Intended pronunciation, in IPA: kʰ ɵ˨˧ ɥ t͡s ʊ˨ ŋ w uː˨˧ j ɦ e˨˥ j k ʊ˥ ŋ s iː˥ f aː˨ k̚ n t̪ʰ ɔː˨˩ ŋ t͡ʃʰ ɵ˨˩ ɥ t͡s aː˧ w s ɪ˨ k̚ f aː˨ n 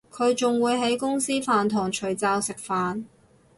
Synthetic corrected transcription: kʰ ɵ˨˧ ɥ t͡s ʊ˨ ŋ w uː˨˧ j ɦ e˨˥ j k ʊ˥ ŋ s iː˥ f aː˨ n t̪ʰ ɔː˨˩ ŋ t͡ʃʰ ɵ˨˩ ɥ t͡s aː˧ w s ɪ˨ k̚ f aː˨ n